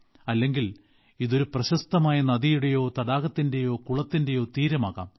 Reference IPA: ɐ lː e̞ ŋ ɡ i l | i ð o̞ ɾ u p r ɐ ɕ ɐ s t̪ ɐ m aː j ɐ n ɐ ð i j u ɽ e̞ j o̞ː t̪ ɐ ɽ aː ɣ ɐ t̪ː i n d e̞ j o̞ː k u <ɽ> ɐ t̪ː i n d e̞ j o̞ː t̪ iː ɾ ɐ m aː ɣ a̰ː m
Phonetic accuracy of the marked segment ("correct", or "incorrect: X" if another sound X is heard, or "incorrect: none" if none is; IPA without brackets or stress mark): incorrect: ɭ